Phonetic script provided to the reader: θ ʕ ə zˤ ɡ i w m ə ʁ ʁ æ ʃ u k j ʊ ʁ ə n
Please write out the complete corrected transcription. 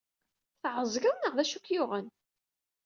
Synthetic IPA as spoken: θ ʕ ə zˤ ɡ æ w n ə ʁ ð æ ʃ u k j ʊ ʁ ə n